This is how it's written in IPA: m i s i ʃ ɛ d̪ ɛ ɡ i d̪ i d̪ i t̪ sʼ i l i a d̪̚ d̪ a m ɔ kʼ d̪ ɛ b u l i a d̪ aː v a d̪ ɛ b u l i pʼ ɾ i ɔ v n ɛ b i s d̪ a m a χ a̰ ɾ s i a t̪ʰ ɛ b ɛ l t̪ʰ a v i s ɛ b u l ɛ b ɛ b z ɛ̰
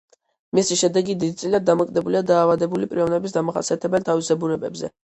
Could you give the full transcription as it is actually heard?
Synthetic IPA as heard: m i s i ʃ ɛ d̪ ɛ ɡ i d̪ i d̪ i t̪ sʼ i l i a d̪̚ d̪ a m ɔ kʼ d̪ ɛ b u l i a d̪ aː v a d̪ ɛ b u l i pʼ ɾ i ɔ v n ɛ b i s d̪ a m a χ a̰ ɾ s i a t̪ʰ ɛ b ɛ l t̪ʰ a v i s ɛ b u ɾ ɛ b ɛ b z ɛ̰